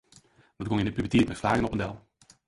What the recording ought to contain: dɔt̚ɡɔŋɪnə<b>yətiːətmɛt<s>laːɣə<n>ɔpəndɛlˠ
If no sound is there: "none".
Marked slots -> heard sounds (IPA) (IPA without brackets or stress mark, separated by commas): p, f, n